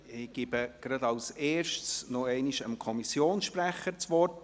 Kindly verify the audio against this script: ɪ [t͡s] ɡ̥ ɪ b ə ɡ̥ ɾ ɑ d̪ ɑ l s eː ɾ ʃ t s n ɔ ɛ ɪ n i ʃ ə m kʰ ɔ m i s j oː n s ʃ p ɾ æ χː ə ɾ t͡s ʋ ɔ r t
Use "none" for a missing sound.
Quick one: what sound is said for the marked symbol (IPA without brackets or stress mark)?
none